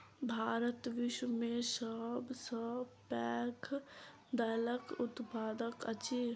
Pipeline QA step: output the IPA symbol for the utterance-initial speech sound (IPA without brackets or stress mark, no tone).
bʱ